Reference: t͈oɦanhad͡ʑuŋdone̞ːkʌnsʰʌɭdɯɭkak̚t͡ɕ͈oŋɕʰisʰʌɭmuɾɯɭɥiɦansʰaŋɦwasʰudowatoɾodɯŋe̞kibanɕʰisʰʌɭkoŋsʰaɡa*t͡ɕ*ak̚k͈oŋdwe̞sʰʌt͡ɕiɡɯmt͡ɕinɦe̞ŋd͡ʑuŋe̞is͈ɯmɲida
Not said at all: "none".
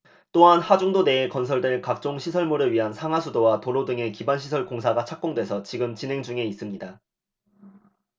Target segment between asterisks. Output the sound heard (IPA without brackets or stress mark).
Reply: t͡ɕʰ